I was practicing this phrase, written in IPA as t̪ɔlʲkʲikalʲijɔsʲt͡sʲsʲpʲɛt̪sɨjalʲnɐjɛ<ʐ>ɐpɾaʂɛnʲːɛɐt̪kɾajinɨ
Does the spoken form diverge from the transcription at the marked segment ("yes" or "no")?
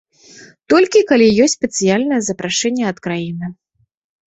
yes